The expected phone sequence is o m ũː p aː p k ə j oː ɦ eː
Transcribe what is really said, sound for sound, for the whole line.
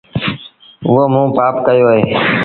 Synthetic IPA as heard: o m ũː p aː p k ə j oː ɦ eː

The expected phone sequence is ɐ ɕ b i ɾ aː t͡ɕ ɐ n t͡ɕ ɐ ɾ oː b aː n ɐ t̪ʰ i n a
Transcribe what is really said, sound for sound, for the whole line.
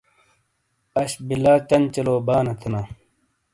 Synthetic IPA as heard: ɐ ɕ b i l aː t͡ɕ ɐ n t͡ɕ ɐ l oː b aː n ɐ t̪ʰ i n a

